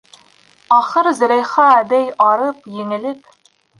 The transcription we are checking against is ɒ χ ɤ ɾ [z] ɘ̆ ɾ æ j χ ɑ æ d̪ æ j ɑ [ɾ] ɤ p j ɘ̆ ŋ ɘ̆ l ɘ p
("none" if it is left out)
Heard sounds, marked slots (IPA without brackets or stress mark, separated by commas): z, ɾ